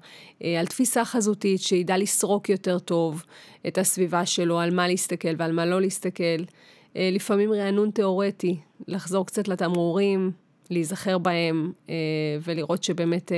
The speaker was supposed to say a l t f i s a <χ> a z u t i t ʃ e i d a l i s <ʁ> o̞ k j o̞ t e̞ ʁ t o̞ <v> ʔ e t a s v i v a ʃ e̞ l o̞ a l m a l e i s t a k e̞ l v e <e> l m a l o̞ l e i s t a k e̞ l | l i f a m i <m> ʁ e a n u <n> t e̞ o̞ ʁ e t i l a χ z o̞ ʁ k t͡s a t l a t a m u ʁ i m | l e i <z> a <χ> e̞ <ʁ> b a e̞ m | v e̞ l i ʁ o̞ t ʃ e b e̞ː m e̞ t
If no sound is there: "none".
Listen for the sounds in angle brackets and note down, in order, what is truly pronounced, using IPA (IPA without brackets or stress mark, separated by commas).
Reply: χ, ʁ, v, a, m, n, z, χ, ʁ